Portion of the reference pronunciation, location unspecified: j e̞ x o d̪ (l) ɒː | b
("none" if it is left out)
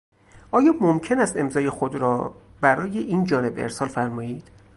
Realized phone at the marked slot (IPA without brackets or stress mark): ɾ